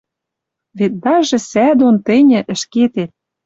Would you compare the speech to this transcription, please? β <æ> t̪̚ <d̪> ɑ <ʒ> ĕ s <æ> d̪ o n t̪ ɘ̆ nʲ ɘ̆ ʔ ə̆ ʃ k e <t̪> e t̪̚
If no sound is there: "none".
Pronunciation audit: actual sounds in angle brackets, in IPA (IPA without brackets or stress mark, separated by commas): e, d̪, ʒ, æ, t̪